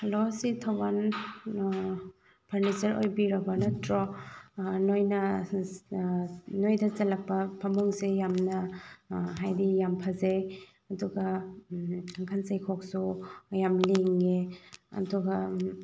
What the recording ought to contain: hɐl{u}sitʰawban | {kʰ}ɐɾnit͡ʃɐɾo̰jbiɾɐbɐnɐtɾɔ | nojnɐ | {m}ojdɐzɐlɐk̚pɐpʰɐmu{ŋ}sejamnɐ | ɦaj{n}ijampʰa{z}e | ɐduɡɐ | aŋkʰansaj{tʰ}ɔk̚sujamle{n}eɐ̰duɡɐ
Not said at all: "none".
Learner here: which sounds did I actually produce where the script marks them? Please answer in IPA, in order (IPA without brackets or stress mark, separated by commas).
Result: o, pʰ, n, ŋ, d, z, kʰ, ŋ